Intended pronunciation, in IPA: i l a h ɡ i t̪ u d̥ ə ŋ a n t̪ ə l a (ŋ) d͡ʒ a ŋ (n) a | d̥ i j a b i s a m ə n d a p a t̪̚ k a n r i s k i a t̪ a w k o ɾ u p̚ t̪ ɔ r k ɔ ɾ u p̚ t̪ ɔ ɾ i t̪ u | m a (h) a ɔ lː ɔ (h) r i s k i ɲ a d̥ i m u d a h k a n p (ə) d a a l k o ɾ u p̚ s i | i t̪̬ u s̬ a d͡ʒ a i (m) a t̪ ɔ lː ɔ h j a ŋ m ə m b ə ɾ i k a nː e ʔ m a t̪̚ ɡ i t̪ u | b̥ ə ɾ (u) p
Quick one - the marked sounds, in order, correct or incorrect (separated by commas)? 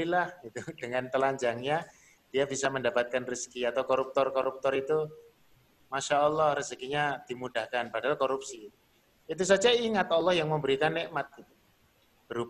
incorrect, incorrect, incorrect, correct, incorrect, incorrect, correct